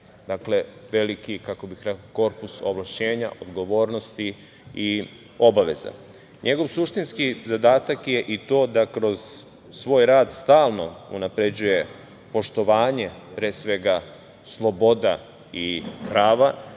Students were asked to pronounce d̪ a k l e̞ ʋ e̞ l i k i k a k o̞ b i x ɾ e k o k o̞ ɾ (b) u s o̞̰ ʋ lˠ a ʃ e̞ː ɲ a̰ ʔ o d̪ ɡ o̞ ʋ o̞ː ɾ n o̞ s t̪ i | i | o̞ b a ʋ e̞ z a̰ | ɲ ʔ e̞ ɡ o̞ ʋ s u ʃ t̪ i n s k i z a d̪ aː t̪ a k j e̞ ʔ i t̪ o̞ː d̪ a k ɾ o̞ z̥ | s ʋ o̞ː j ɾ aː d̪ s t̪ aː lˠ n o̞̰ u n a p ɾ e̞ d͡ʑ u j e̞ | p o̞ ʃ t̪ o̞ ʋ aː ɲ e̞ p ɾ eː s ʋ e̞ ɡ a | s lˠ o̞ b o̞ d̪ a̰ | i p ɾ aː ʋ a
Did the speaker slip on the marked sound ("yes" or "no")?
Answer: yes